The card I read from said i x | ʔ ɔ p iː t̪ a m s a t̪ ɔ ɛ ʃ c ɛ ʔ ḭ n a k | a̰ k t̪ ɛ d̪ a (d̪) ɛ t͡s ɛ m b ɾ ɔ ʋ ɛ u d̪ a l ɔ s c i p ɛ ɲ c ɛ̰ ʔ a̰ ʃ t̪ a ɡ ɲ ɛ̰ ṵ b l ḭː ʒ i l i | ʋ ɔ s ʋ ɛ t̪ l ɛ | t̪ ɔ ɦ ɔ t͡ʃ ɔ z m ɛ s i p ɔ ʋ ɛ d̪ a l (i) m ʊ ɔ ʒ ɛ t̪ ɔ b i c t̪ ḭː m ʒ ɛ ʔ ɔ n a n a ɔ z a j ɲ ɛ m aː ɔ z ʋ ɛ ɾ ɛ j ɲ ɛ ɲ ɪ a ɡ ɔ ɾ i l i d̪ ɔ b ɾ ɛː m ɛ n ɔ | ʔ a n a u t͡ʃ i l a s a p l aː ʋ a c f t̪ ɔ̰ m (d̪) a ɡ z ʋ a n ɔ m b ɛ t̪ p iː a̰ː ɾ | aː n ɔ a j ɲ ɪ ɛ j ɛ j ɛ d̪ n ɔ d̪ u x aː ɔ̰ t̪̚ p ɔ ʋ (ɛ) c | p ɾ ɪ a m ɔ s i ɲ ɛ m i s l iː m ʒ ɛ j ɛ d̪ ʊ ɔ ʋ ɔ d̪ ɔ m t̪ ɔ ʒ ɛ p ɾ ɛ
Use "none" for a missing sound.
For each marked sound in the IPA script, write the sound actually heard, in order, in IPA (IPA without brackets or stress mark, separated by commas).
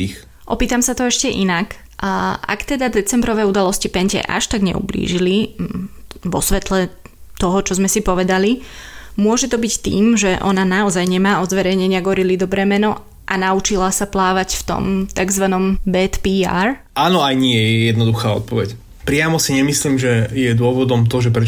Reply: d̪, i, t̪, ɛ